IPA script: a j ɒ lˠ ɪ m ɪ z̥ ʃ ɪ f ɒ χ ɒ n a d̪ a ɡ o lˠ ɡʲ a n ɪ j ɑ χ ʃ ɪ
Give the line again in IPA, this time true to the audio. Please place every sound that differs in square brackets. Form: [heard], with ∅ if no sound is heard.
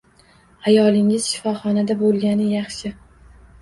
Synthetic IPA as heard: a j ɒ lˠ ɪ [ŋ] ɪ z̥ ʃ ɪ f ɒ χ ɒ n a d̪ a [b] o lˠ ɡʲ a n ɪ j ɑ χ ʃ ɪ